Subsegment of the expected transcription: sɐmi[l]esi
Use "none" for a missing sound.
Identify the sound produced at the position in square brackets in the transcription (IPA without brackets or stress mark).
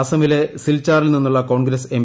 l